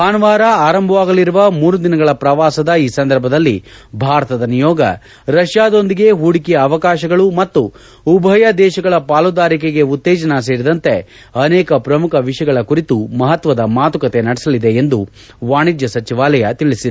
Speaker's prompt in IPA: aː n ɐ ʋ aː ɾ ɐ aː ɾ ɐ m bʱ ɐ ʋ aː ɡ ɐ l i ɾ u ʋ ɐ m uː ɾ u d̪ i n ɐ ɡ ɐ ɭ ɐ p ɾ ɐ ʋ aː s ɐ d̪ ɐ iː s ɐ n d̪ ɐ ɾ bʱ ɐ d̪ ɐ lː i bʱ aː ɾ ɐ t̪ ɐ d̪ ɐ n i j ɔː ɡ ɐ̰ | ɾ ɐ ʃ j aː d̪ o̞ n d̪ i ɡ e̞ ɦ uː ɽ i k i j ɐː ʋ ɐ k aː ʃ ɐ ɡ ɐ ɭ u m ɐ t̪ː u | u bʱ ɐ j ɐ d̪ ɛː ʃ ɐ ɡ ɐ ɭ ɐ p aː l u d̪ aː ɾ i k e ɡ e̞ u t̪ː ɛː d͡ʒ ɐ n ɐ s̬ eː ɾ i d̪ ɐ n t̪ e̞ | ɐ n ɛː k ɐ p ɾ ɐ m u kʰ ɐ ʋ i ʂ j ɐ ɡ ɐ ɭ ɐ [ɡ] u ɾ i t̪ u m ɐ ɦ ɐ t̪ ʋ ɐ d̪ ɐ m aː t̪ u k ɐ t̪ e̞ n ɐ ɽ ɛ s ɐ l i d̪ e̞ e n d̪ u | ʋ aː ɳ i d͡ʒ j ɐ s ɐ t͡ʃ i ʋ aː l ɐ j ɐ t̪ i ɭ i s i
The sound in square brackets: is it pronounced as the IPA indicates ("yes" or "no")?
no